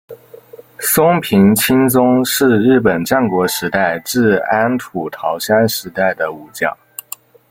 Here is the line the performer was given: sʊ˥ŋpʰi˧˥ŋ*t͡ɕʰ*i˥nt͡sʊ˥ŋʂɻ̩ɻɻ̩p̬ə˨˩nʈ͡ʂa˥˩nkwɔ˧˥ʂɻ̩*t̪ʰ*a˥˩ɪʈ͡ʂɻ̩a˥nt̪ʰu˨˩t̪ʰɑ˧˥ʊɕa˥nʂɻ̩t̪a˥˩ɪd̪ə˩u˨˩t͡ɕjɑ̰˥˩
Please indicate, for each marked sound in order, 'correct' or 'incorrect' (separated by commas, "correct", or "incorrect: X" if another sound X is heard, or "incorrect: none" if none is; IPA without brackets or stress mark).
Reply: correct, incorrect: t̪